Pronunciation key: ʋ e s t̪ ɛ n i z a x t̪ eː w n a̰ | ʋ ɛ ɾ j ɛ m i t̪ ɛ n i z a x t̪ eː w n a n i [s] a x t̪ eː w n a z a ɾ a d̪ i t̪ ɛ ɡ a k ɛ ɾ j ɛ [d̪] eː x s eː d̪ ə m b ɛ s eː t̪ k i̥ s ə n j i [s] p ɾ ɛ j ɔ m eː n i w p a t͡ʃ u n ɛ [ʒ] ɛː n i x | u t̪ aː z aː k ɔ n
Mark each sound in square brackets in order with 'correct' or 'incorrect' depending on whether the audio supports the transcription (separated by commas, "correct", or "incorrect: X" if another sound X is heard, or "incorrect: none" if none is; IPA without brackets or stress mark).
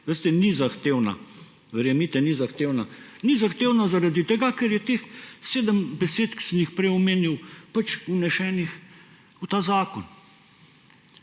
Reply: incorrect: z, incorrect: t̪, incorrect: x, incorrect: ʃ